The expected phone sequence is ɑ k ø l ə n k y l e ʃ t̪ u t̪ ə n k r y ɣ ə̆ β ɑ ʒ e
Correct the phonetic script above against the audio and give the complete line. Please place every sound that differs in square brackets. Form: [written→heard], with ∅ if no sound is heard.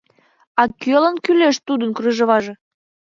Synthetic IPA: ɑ k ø l ə n k y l e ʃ t̪ u [t̪→d̪] ə n k r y [ɣ→ʒ] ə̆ β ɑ ʒ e